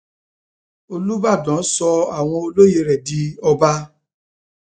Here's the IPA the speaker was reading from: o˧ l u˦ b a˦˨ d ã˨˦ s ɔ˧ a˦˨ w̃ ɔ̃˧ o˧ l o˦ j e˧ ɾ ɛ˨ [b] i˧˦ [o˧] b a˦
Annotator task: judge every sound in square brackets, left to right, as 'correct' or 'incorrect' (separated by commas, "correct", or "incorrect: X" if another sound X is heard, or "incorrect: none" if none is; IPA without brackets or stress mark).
incorrect: d, incorrect: ɔ˧